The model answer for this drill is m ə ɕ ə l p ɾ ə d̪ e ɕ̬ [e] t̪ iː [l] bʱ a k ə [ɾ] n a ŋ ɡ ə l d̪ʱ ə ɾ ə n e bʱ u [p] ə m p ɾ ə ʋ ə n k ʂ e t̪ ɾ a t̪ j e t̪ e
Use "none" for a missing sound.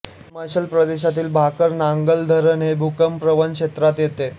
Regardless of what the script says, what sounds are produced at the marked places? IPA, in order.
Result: a, l, ɾ, k

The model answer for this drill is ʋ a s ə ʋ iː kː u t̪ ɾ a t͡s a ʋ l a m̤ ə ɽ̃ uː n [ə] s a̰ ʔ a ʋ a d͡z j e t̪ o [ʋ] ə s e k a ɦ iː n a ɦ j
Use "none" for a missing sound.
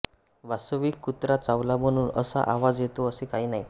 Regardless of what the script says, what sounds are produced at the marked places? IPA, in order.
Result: ə, none

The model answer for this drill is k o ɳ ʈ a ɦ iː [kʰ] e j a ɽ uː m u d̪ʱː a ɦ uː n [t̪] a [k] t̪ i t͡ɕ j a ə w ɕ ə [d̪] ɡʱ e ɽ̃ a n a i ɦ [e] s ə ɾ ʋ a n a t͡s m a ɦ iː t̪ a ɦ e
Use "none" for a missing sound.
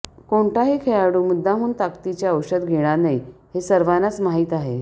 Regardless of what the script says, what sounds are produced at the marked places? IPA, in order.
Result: kʰ, t̪, k, d̪, e

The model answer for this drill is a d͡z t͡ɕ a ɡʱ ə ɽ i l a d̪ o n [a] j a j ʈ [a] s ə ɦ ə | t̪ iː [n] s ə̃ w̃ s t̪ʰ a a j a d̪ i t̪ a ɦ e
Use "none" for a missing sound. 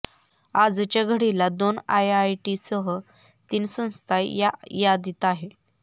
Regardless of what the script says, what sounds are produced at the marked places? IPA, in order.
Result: a, i, n

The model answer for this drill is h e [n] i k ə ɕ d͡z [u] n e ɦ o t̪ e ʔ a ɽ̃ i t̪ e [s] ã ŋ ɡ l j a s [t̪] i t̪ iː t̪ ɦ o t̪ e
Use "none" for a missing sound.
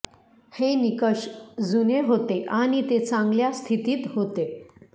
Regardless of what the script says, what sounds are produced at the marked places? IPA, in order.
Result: n, u, t͡s, t̪ʰ

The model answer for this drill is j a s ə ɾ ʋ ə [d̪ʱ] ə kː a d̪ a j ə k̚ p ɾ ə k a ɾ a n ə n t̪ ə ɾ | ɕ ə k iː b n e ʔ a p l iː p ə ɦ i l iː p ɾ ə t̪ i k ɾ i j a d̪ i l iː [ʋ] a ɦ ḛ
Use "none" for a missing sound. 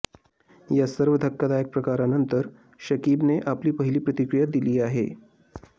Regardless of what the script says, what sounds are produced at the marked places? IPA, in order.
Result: d̪ʱ, none

